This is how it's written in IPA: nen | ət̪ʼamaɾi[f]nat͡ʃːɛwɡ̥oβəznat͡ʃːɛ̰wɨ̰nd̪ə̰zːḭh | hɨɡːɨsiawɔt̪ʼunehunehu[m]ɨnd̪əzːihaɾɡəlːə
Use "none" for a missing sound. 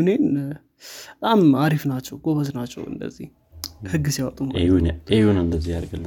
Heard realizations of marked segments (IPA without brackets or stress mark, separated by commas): f, n